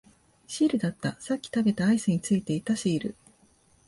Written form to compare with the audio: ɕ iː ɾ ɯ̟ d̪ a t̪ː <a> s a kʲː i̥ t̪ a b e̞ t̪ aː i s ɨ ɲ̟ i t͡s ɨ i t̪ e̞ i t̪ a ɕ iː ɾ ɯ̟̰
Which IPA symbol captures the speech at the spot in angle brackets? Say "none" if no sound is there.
a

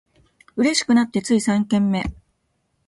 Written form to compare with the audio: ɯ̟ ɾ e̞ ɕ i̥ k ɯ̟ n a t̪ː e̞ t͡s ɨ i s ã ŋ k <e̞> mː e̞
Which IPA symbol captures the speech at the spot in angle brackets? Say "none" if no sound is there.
ẽ̞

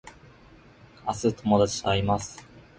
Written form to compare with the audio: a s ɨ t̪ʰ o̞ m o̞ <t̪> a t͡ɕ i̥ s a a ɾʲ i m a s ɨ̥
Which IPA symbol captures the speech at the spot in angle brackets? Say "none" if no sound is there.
d̪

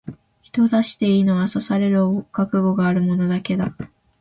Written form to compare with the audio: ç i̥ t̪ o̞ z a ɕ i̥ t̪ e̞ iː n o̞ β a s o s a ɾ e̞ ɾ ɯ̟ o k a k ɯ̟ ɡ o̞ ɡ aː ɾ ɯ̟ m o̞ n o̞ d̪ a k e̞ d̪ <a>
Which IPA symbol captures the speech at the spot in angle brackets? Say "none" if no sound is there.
a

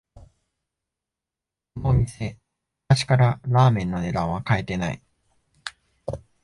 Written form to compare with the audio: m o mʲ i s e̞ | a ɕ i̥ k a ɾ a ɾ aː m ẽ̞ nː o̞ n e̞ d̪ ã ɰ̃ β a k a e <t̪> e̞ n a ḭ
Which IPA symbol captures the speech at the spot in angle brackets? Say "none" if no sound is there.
t̪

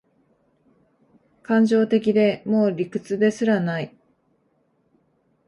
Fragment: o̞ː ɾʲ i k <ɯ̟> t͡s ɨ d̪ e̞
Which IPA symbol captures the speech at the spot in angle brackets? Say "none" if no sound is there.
ɯ̟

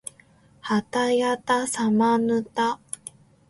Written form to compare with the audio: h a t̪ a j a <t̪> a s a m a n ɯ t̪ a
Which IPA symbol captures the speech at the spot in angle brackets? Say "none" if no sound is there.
t̪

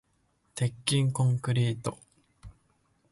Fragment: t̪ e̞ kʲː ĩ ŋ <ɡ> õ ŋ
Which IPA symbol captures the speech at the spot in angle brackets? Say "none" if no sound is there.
k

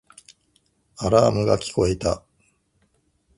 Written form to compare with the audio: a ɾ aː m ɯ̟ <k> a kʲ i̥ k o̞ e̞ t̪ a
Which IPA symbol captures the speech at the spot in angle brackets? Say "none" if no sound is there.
ɡ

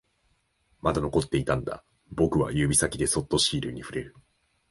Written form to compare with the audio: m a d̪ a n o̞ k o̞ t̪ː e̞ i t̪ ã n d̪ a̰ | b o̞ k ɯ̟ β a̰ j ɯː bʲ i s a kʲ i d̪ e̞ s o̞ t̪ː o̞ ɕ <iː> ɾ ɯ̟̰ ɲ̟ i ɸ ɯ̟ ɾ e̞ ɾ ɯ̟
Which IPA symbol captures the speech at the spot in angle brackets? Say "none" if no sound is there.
iː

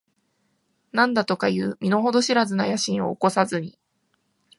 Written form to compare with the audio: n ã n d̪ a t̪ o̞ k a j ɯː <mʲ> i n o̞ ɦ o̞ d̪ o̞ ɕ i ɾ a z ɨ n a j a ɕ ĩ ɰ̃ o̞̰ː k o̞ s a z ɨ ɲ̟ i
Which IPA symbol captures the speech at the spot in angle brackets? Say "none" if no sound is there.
mʲ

